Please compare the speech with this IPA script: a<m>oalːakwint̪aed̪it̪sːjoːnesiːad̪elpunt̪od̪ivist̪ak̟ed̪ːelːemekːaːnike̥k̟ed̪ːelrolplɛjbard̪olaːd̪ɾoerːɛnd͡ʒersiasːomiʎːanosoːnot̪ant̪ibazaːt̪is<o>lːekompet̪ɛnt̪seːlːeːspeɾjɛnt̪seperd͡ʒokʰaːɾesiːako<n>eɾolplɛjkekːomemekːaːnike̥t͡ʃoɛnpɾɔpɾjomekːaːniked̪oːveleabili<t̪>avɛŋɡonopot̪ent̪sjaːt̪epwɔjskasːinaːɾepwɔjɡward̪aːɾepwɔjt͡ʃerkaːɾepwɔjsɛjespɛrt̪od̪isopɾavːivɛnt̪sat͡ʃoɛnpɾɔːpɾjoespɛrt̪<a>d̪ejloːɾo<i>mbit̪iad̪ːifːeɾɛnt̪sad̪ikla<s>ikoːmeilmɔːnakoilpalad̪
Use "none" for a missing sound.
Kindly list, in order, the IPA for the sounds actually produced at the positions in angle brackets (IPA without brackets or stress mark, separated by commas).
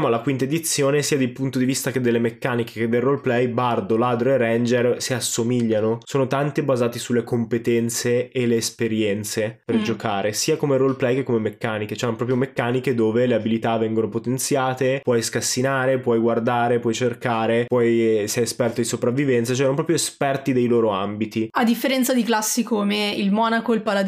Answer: m, u, m, t̪, i, a, sː